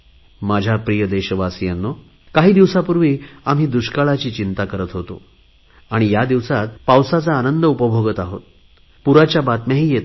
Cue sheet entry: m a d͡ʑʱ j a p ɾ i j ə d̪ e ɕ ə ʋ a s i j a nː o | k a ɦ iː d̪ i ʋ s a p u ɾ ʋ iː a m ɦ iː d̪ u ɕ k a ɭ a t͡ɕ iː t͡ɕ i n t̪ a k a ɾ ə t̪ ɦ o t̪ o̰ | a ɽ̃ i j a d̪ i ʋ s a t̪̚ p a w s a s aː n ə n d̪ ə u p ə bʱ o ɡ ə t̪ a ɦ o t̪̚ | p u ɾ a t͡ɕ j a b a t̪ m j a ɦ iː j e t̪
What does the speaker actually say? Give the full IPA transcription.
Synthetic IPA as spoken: m a d͡ʑʱ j a p ɾ i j ə d̪ e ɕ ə ʋ a s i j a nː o | k a ɦ iː d̪ i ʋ s a p u ɾ ʋ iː a m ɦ iː d̪ u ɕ k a ɭ a t͡ɕ iː t͡ɕ i n t̪ a k ə ɾ ə t̪ ɦ o t̪ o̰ | a ɽ̃ i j a d̪ i ʋ s a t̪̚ p a w s a t͡s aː n ə n d̪ ə u p ə bʱ o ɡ ə t̪ a ɦ o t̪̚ | p u ɾ a t͡ɕ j a b a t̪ m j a ɦ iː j e t̪